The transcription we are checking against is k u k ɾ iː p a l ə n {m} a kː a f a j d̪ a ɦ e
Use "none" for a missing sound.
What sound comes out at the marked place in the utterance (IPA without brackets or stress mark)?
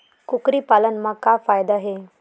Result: m